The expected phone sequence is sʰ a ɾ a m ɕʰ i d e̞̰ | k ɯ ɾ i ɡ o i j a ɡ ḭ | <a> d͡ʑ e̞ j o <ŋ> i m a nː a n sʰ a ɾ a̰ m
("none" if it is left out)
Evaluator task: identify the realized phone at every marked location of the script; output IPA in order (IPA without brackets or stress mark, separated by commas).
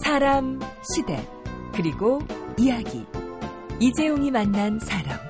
i, ŋ